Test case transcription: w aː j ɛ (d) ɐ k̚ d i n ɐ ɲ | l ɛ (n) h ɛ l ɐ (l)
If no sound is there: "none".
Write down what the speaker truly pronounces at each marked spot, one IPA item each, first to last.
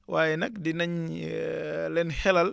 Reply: n, n, l

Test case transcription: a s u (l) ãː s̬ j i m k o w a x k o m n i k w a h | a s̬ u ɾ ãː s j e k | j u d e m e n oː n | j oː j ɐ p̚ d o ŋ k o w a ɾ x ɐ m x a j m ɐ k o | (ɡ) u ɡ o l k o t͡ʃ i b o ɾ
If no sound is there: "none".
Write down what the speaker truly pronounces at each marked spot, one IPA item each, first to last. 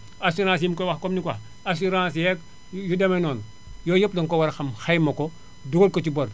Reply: ɾ, d

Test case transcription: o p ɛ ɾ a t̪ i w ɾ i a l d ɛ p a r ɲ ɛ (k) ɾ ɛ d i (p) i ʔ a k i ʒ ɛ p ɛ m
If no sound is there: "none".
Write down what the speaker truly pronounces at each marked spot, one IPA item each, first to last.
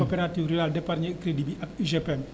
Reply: k, b

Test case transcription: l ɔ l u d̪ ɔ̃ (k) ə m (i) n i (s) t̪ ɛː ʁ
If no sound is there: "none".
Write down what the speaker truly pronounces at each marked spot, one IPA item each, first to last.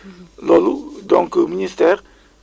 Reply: k, i, s

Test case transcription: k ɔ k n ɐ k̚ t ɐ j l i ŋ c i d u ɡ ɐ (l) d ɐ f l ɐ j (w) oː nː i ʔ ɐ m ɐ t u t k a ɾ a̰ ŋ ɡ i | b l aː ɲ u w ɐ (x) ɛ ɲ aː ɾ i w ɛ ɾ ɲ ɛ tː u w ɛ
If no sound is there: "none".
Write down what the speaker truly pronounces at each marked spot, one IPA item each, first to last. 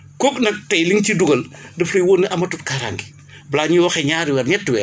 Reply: l, w, x

